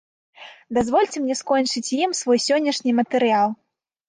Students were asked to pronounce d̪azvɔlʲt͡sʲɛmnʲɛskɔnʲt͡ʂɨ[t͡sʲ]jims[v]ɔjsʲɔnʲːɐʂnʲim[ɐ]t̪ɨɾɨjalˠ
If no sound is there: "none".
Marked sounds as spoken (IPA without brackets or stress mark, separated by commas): t͡sʲ, v, ɐ